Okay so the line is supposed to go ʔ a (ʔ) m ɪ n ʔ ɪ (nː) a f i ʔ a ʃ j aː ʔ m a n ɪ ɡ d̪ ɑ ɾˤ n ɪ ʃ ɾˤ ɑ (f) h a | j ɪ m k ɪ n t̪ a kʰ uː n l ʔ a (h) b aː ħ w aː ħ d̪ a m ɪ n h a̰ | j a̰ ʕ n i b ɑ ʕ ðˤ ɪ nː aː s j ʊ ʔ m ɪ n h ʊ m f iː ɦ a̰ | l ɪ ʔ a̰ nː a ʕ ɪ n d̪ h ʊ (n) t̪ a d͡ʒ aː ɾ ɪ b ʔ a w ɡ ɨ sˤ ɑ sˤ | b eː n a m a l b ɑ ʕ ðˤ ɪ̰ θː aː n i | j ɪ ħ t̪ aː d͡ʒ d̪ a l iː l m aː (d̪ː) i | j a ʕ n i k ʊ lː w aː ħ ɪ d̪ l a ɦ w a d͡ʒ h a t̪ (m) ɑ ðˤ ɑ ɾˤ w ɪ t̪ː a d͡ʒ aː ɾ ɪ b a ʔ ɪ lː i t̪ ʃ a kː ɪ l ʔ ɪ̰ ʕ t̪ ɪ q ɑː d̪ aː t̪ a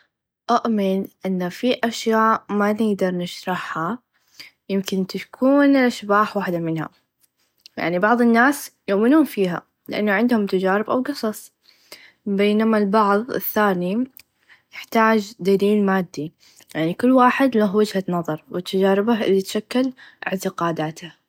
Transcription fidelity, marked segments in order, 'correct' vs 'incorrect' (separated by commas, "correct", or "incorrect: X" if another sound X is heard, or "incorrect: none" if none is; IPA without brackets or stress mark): correct, correct, incorrect: ħ, incorrect: ʃ, incorrect: m, correct, incorrect: n